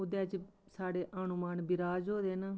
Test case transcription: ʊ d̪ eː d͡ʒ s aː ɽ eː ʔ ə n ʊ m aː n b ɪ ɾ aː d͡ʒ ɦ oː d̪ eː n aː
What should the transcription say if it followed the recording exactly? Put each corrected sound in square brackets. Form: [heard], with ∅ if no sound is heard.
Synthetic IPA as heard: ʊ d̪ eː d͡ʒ s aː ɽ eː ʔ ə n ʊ m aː n b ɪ ɾ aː d͡ʒ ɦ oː d̪ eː n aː